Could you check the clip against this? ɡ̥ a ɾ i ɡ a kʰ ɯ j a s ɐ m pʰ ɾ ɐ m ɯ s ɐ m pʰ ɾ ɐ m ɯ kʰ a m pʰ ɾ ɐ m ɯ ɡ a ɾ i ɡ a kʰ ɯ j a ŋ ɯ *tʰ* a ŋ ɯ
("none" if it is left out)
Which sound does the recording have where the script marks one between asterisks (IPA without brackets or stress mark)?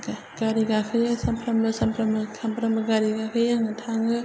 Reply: tʰ